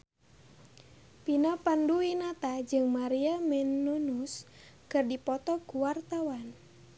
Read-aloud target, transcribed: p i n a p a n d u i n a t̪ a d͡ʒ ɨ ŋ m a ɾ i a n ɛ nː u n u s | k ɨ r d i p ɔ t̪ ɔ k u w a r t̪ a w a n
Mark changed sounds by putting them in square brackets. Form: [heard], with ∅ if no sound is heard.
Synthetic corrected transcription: p i n a p a n d u i n a t̪ a d͡ʒ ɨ ŋ m a ɾ i a [m] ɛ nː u n u s | k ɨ r d i p ɔ t̪ ɔ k u w a r t̪ a w a n